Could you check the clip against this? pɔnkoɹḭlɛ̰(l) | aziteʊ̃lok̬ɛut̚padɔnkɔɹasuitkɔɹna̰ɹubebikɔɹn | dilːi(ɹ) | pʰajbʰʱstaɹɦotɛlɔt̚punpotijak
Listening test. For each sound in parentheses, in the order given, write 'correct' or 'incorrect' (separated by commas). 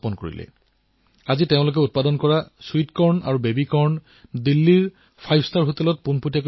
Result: incorrect, correct